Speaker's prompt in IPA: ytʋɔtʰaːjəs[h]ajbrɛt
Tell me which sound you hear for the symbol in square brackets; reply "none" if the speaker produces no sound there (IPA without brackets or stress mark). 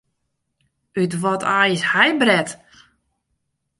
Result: h